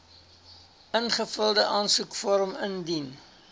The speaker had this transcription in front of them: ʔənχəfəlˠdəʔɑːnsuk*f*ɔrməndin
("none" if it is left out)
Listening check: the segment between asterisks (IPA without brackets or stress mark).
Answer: f